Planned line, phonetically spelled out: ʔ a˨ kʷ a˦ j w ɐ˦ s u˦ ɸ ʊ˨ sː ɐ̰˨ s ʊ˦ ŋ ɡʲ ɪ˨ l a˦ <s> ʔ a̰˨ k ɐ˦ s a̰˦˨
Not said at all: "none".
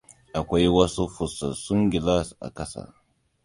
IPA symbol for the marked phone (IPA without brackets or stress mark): s